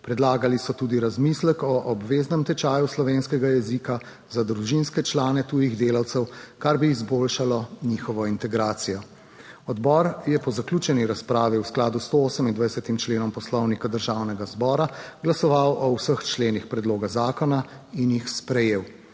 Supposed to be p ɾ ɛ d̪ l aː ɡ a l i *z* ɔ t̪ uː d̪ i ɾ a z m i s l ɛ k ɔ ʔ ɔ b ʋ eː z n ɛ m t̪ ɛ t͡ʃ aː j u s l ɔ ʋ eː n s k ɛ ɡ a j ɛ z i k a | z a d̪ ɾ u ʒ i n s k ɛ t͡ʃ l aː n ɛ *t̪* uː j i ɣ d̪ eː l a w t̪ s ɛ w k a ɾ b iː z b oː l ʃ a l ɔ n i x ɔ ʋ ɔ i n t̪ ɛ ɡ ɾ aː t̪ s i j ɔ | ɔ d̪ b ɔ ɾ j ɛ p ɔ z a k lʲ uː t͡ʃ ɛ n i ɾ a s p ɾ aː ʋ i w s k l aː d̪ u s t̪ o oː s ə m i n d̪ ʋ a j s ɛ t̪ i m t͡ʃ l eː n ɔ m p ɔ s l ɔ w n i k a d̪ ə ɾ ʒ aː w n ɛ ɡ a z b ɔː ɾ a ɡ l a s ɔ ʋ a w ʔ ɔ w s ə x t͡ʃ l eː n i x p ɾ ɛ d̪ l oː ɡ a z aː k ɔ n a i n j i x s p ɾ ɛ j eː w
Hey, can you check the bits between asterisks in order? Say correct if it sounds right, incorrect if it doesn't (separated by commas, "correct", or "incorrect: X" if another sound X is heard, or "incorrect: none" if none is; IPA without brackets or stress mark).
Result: incorrect: s, correct